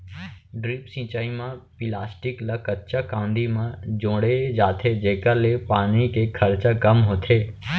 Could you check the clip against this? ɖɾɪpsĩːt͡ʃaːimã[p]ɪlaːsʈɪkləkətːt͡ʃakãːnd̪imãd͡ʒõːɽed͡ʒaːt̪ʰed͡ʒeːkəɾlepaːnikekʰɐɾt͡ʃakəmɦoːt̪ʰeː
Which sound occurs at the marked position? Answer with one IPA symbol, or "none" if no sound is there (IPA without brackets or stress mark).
p